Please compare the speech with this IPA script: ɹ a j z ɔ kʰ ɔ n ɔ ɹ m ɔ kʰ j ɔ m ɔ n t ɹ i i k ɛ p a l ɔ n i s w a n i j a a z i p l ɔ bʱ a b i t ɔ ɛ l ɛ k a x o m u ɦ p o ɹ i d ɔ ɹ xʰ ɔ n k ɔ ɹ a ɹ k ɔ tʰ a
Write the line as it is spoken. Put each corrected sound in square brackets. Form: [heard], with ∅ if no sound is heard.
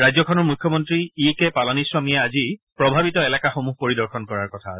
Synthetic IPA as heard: ɹ a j z ɔ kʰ ɔ n ɔ ɹ m [u] kʰ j ɔ m ɔ n t ɹ i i k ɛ p a l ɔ n i s w a [m] i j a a z i p [ɹ] ɔ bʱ a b i t ɔ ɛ l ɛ k a x o m u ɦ p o ɹ i d ɔ ɹ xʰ ɔ n k ɔ ɹ a ɹ k ɔ tʰ a